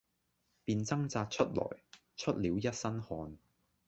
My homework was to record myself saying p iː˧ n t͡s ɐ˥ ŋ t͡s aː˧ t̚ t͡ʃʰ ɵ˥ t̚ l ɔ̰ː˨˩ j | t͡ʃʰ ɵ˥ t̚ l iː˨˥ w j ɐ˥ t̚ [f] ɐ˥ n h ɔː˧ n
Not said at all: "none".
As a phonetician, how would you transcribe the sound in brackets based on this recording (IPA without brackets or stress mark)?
s